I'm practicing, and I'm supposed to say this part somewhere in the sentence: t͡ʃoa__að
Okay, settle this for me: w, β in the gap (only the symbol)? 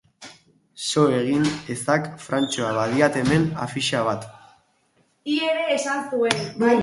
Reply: β